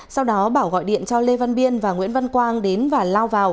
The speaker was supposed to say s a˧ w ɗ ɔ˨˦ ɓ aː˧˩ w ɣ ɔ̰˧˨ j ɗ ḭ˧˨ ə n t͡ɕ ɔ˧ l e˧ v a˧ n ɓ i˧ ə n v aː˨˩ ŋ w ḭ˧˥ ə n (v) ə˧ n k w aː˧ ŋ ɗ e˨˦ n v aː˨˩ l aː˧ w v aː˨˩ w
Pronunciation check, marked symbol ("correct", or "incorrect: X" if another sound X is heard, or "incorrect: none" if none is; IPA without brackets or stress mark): correct